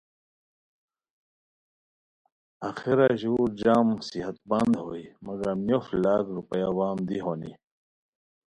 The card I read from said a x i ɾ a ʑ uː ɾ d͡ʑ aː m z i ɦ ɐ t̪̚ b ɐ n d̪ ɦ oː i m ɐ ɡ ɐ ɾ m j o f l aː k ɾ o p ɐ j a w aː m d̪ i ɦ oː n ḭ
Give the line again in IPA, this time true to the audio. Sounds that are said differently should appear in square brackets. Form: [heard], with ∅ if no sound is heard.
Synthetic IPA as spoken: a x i ɾ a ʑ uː ɾ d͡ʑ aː m [s] i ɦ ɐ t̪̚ b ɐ n d̪ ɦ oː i m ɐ ɡ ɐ ɾ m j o f l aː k ɾ [u] p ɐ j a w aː m d̪ i ɦ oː n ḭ